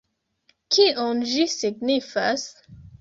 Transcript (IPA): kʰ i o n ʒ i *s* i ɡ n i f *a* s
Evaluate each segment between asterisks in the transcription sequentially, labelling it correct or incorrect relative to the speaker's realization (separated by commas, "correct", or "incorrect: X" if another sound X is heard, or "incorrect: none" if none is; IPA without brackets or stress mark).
correct, correct